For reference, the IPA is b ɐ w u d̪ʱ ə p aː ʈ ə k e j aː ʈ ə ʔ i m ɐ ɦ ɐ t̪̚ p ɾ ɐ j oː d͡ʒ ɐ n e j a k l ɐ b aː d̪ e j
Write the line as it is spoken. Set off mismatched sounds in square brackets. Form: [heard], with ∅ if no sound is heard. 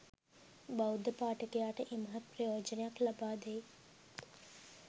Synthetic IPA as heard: b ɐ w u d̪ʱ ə p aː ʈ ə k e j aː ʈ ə ʔ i m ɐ ɦ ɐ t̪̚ p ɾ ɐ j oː d͡ʒ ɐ n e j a k l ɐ b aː d̪ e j